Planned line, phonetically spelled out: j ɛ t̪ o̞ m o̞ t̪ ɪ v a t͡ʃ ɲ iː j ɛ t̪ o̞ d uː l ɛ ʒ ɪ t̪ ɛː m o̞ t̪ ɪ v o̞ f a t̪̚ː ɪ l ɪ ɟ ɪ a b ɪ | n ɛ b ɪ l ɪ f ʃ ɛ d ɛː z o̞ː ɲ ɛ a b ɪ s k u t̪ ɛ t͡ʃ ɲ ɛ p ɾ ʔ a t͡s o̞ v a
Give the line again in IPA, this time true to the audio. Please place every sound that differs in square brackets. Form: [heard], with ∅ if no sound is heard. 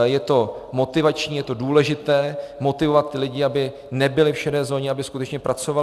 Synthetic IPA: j ɛ t̪ o̞ m o̞ t̪ ɪ v a t͡ʃ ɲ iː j ɛ t̪ o̞ d uː l ɛ ʒ ɪ t̪ ɛː m o̞ t̪ ɪ v o̞ [v] a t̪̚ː ɪ l ɪ ɟ ɪ a b ɪ | n ɛ b ɪ l ɪ f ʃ ɛ d ɛː z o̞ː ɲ ɛ a b ɪ s k u t̪ ɛ t͡ʃ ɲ ɛ p ɾ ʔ a t͡s o̞ v a